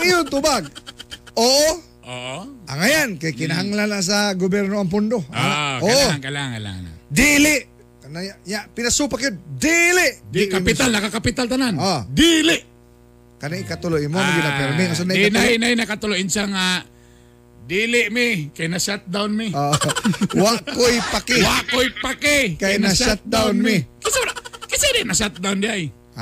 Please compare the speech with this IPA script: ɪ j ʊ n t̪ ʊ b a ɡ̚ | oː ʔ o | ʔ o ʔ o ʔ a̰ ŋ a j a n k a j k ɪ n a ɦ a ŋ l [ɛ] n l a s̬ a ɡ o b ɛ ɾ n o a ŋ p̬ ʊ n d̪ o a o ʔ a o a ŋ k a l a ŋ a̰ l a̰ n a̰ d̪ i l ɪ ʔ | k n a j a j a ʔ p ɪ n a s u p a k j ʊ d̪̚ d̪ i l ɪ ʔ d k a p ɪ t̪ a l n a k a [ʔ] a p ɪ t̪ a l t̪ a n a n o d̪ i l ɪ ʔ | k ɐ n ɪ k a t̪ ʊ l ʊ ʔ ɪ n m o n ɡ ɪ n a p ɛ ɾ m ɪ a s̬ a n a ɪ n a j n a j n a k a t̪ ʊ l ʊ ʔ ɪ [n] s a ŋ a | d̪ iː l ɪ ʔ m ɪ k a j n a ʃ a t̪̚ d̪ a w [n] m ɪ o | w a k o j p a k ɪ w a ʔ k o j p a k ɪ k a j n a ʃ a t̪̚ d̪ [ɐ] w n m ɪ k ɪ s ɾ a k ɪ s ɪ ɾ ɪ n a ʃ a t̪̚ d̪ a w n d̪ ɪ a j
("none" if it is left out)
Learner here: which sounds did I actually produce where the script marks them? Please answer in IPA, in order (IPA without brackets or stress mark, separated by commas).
a, k, n, n, a